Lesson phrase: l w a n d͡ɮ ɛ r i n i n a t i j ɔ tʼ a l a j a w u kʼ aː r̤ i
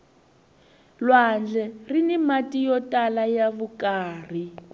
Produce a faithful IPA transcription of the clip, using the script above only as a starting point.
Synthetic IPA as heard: l w a n d͡ɮ ɛ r i n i m a t i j ɔ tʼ a l a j a β u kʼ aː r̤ i